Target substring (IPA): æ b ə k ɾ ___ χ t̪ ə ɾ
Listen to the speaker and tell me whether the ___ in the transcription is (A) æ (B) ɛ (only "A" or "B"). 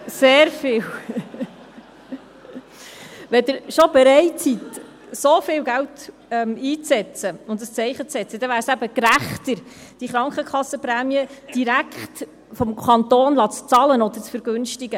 A